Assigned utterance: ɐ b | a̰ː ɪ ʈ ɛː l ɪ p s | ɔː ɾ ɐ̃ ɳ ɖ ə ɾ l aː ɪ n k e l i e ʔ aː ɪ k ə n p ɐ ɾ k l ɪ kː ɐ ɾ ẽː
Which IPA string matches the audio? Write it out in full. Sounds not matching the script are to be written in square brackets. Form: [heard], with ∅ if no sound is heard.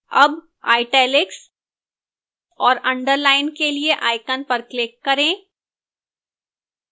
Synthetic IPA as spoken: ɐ b | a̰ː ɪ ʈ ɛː l ɪ [k] s | ɔː ɾ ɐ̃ ɳ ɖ ə ɾ l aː ɪ n k e l i e ʔ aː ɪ k ə n p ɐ ɾ k l ɪ kː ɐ ɾ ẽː